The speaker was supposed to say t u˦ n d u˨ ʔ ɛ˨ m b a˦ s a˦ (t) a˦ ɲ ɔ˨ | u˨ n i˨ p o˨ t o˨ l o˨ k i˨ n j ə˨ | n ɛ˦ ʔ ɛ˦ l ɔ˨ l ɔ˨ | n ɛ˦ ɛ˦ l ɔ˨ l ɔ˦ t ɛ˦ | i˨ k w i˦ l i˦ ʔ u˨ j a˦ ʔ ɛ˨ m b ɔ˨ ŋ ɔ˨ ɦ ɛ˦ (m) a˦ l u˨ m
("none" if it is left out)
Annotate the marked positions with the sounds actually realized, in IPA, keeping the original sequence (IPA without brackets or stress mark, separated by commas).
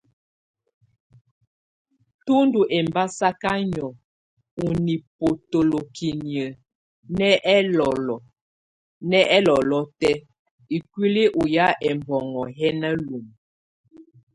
k, n